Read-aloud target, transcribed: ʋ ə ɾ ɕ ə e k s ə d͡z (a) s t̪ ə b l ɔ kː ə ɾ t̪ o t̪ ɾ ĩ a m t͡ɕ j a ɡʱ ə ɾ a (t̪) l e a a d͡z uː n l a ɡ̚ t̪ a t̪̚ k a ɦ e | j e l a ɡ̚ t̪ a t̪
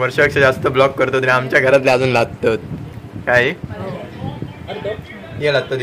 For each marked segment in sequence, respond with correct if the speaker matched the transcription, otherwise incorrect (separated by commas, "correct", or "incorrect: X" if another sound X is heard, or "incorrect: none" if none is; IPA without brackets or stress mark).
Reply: correct, correct